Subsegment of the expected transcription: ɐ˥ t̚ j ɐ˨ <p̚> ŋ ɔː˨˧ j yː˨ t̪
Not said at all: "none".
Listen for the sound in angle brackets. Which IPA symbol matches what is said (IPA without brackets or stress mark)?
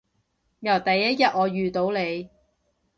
t̚